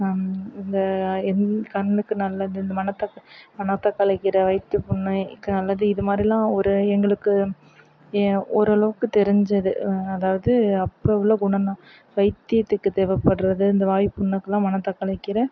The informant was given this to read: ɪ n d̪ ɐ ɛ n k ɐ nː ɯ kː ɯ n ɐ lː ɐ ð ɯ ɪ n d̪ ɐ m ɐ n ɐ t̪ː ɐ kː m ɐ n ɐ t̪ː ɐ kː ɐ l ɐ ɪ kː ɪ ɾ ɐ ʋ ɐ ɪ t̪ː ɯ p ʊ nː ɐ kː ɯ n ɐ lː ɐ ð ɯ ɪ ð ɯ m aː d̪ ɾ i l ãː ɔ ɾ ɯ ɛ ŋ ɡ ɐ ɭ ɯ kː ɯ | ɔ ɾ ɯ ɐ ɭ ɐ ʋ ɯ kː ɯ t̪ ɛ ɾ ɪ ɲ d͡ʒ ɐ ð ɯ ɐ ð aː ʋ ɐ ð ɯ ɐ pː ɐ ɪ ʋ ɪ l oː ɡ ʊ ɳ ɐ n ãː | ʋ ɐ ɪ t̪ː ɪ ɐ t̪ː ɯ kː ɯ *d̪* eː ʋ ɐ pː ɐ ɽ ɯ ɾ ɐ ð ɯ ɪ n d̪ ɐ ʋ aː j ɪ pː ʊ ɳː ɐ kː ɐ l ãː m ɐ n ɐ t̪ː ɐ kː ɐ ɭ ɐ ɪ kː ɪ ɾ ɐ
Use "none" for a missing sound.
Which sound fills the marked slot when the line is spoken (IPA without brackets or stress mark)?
t̪